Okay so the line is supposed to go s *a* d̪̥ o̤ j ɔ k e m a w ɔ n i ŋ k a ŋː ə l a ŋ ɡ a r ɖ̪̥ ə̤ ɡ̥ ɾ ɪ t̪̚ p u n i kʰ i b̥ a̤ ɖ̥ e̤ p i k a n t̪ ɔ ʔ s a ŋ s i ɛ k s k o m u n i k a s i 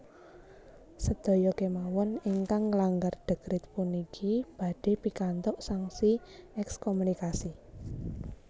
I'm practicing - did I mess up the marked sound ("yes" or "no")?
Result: yes